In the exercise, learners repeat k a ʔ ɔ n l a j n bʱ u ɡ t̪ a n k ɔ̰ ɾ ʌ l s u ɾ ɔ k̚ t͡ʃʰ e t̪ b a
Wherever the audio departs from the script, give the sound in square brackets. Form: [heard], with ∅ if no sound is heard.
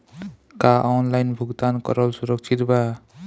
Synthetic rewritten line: k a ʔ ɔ n l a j n bʱ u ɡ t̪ a n k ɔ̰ ɾ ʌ l s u ɾ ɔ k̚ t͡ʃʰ [i] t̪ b a